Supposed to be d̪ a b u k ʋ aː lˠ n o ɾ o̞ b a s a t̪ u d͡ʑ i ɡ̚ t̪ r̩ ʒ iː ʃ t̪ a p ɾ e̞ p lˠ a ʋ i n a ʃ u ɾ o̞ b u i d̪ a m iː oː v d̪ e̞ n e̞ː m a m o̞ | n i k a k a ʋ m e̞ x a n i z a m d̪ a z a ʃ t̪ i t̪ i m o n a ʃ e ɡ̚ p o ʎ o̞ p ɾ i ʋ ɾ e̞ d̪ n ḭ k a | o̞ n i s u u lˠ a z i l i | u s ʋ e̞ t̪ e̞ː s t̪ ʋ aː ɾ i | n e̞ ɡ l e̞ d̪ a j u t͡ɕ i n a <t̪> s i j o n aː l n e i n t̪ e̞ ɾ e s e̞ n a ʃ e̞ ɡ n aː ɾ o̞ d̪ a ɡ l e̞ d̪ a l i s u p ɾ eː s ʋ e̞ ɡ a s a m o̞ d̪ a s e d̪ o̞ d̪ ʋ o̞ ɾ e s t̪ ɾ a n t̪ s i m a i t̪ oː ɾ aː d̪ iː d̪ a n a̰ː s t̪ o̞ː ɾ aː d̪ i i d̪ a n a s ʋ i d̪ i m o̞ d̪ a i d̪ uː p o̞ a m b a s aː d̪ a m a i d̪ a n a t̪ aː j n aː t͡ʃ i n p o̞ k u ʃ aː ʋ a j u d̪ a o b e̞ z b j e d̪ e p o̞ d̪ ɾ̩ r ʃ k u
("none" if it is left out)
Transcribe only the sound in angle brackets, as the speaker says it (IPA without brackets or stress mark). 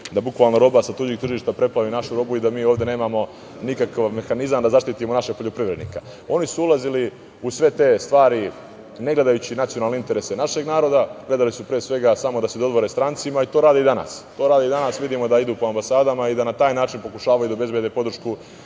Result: t̪